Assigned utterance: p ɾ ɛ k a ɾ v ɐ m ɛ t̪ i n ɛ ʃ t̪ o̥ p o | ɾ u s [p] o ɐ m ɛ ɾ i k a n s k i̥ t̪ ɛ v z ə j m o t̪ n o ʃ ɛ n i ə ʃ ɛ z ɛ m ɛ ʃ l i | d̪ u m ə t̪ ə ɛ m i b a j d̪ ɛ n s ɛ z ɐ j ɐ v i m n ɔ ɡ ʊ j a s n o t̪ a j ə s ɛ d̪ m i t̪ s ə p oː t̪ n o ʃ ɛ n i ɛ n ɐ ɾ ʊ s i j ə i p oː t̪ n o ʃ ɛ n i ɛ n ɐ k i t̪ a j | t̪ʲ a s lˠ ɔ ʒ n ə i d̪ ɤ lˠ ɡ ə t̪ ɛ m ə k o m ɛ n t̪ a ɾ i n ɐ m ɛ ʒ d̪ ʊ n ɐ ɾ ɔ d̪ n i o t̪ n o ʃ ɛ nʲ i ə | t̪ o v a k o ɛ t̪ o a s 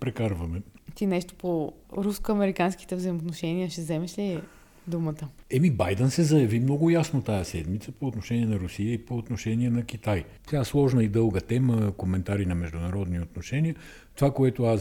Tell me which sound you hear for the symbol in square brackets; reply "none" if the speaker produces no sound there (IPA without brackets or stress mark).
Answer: k